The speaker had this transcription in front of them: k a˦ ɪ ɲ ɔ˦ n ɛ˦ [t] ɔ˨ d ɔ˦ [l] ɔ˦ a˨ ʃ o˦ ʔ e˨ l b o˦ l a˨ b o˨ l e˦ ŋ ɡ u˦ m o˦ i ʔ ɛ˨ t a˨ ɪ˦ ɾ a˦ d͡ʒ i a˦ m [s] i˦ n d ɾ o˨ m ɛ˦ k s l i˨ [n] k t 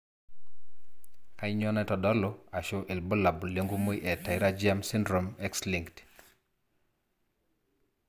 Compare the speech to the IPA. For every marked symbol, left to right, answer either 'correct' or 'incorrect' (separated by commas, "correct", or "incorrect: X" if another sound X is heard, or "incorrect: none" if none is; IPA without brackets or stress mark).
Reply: correct, correct, correct, incorrect: ŋ